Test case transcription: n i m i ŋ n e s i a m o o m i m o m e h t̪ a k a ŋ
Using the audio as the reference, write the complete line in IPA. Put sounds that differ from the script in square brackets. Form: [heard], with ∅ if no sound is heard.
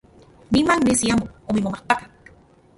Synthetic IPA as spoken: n i m [a] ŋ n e s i a m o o m i m o m [a] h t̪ a k a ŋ